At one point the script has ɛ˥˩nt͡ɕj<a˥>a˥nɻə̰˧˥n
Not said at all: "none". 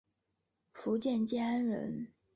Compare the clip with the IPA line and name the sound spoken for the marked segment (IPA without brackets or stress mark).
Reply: ɛ˥